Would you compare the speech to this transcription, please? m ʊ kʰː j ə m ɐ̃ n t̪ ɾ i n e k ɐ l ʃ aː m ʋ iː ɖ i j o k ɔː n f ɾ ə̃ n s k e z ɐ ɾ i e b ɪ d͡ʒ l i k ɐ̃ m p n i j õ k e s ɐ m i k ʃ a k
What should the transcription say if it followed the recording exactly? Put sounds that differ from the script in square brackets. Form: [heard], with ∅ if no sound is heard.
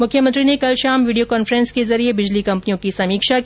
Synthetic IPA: m ʊ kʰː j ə m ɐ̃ n t̪ ɾ i n e k ɐ l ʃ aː m ʋ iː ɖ i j o k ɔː n f ɾ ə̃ n s k e z ɐ ɾ i e b ɪ d͡ʒ l i k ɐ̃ m p n i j õ k [i] s ɐ m [iː] k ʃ a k